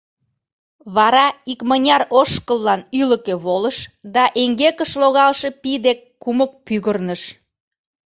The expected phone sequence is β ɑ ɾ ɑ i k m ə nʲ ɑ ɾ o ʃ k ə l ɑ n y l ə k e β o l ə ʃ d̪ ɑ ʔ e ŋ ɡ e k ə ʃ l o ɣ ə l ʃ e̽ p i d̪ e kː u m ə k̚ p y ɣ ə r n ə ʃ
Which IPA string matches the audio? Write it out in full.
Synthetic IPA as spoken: β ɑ ɾ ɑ i k m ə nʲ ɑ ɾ o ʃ k ə lː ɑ n y l ə k e β o l ə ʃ d̪ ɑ ʔ e ŋ ɡ e k ə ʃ l o ɣ ɑ l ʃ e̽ p i d̪ e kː u m ə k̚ p y ɣ ə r n ə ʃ